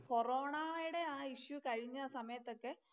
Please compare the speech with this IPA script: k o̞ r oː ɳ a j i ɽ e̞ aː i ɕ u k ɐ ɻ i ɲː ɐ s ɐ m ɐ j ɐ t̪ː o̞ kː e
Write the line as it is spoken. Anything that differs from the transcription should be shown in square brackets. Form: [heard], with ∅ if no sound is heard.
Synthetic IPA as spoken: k o̞ r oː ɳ a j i ɽ e̞ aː i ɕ u k ɐ ɻ i ɲː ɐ s ɐ m ɐ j ɐ t̪ː o̞ kː e